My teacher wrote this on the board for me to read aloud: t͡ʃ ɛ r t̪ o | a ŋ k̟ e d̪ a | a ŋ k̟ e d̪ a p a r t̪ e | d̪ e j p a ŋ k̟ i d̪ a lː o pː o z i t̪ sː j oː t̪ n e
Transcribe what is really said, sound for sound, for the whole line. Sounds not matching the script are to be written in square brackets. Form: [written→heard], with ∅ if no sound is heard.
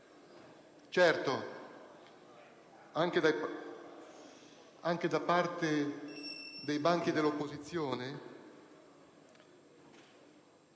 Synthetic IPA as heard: t͡ʃ ɛ r t̪ o | a ŋ k̟ e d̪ a | a ŋ k̟ e d̪ a p a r t̪ e | d̪ e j [p→b] a ŋ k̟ i d̪ [a→e] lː o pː o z i t̪ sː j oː [t̪→∅] n e